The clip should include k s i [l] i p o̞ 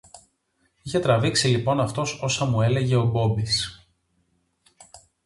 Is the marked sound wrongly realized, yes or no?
no